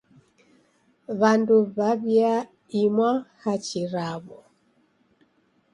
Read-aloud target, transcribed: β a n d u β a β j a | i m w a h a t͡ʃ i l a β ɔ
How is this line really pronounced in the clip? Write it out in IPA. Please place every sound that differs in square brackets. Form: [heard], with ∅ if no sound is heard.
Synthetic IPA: β a n d u β a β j a | i m w a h a t͡ʃ i [ɾ] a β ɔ